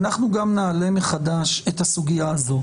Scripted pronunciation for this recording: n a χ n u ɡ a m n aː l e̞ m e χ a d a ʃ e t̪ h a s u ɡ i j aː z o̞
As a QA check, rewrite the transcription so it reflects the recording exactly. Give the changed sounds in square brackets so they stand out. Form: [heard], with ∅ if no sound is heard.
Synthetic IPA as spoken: n a χ n u ɡ a m n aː l e̞ m e χ a d a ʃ e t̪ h a s u ɡ i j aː z o̞